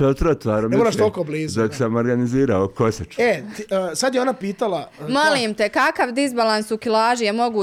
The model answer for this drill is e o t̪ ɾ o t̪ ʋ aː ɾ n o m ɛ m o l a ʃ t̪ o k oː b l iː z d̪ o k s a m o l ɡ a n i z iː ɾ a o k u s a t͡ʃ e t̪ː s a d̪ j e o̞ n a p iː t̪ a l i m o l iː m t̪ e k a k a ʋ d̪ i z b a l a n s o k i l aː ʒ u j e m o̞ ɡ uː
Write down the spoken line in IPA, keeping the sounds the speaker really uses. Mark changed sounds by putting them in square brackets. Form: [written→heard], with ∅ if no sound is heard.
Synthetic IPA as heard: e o t̪ ɾ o t̪ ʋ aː ɾ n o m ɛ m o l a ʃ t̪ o k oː b l iː z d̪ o k s a m o [l→ɾ] ɡ a n i z iː ɾ a o k [u→o] s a t͡ʃ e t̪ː s a d̪ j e o̞ n a p iː t̪ a l [i→a] m o l iː m t̪ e k a k a ʋ d̪ i z b a l a n s [o→u] k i l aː ʒ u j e m o̞ ɡ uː